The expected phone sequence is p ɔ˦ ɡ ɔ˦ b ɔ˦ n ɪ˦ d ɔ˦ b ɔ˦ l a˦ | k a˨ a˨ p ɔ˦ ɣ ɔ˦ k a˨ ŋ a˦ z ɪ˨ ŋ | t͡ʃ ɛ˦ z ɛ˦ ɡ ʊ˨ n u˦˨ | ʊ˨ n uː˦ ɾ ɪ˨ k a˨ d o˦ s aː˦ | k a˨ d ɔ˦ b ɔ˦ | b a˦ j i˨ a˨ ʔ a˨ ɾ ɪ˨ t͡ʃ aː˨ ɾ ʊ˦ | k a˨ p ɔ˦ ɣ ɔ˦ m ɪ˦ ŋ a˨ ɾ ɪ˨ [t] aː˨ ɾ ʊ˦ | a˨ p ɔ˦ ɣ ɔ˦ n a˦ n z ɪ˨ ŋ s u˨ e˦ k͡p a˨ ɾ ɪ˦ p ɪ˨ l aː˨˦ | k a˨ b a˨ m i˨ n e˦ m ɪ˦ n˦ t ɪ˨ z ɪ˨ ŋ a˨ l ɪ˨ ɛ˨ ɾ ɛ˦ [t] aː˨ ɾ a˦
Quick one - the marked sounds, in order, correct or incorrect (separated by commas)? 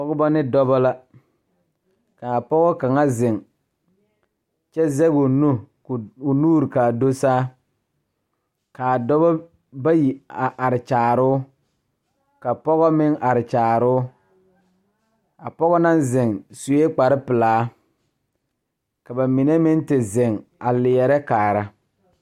incorrect, incorrect